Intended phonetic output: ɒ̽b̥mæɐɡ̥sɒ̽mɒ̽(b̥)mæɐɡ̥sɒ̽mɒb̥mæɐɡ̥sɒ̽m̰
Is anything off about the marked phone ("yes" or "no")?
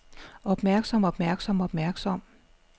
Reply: no